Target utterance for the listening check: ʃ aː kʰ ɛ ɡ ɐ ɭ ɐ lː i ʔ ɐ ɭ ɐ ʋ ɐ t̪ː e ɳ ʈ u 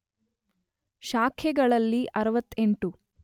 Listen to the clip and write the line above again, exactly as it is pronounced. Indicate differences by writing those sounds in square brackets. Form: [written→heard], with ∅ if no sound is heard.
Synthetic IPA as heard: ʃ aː kʰ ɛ ɡ ɐ ɭ ɐ lː i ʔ ɐ [ɭ→ɾ] ɐ ʋ ɐ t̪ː e ɳ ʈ u